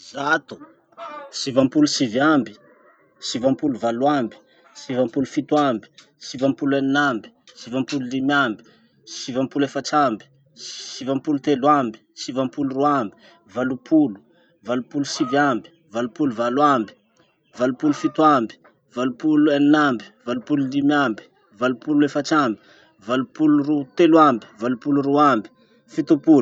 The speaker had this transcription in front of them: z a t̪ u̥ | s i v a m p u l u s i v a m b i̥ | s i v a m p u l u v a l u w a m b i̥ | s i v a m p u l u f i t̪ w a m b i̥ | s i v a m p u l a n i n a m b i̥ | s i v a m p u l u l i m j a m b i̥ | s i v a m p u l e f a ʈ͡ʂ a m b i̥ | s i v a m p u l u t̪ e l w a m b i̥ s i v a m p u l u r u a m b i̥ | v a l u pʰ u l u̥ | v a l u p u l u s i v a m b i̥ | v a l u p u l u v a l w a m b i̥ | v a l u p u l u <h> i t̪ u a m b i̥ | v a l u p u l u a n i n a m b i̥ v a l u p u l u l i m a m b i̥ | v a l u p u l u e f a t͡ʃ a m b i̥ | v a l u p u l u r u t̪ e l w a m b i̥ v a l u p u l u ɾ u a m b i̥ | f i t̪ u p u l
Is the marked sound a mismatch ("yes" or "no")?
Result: yes